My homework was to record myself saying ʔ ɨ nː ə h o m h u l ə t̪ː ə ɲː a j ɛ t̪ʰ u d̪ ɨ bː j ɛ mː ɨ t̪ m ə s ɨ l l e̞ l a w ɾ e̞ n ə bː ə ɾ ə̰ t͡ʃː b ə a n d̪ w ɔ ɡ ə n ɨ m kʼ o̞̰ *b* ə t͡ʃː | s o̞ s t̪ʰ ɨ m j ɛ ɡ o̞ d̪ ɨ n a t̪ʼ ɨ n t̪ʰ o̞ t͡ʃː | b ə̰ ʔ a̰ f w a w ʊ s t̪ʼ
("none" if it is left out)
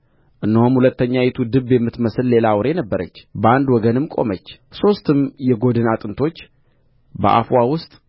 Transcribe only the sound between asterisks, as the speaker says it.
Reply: m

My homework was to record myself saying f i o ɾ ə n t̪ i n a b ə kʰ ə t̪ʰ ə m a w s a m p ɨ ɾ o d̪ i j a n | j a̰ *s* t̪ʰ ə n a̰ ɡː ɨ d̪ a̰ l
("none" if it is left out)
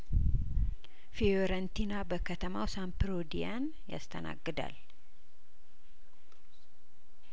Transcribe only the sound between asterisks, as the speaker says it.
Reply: s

